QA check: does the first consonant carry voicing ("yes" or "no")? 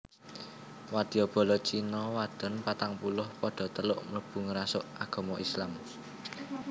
yes